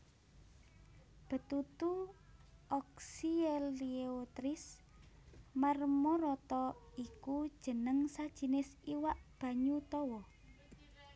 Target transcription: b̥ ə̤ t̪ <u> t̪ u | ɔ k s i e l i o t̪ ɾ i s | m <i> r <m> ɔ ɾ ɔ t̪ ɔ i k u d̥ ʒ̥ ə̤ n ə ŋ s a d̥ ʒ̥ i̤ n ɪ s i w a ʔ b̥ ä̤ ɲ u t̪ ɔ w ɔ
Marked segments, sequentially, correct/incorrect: correct, incorrect: a, correct

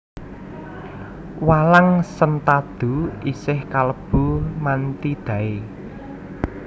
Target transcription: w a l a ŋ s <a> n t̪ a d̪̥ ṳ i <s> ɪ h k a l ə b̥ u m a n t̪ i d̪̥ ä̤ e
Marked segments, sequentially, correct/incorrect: incorrect: ə, correct

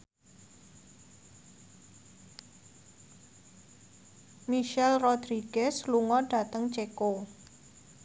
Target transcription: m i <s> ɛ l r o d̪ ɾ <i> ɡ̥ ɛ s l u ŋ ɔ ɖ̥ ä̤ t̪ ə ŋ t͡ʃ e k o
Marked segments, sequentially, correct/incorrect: incorrect: ʃ, correct

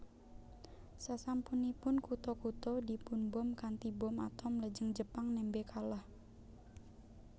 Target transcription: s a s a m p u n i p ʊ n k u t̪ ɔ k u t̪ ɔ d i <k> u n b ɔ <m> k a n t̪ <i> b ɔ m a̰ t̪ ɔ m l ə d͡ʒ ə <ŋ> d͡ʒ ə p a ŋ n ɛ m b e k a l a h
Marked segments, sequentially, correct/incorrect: incorrect: p, correct, correct, correct

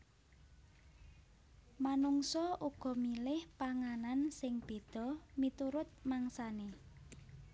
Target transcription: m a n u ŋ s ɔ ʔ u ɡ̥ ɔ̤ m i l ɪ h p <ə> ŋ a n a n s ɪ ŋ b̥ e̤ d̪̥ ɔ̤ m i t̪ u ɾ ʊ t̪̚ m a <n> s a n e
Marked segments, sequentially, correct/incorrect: incorrect: a, incorrect: ŋ

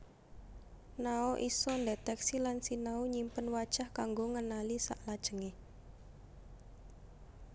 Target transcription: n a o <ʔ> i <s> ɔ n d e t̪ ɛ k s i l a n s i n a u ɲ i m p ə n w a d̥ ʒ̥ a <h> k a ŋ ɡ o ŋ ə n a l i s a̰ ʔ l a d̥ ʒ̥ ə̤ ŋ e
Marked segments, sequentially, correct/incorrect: correct, correct, correct

